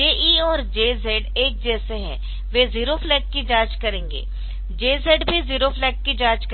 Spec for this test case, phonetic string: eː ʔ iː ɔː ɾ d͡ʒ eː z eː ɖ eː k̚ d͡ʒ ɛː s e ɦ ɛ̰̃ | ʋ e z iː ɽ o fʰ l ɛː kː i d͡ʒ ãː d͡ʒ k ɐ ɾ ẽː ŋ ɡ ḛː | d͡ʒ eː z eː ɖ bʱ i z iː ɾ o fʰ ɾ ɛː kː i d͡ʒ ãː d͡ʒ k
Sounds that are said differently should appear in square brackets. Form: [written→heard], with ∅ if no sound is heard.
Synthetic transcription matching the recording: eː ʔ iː ɔː ɾ d͡ʒ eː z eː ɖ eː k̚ d͡ʒ ɛː s e ɦ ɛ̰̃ | ʋ e z iː [ɽ→ɾ] o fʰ l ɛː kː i d͡ʒ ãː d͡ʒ k ɐ ɾ ẽː ŋ ɡ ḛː | d͡ʒ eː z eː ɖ bʱ i z iː ɾ o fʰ [ɾ→l] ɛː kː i d͡ʒ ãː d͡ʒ k